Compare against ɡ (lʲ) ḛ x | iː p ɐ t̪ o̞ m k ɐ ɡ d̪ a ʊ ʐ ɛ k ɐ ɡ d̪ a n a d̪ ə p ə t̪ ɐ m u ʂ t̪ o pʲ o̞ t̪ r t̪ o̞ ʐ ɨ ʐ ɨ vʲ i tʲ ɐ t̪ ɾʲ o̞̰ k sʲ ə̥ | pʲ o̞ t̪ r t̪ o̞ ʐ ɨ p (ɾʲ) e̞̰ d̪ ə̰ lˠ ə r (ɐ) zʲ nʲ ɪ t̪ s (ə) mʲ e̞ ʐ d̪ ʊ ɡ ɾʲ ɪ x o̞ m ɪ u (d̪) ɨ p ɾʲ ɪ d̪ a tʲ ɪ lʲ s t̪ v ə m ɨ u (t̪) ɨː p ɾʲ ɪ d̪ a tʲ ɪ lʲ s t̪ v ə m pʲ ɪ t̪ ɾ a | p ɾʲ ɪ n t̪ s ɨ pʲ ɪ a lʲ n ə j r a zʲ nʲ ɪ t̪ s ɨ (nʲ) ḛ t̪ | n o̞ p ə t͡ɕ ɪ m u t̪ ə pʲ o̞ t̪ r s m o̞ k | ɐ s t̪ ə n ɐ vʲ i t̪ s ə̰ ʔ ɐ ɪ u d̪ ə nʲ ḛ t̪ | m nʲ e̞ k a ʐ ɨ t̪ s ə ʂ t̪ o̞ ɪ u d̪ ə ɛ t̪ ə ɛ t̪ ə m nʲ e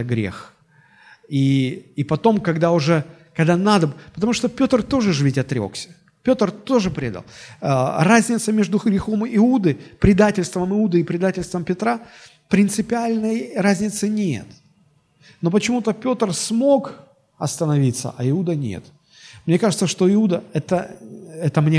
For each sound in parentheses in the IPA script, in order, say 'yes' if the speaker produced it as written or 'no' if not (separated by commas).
no, yes, no, yes, yes, no, yes